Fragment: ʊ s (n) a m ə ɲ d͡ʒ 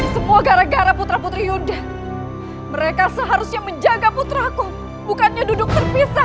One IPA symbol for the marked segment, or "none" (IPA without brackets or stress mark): ɲ